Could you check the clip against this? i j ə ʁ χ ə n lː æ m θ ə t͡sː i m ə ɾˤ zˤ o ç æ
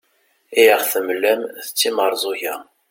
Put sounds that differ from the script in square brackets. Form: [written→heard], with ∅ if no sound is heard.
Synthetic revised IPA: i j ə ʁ [χ→θ] ə [n→m] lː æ m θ ə t͡sː i m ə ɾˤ zˤ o ç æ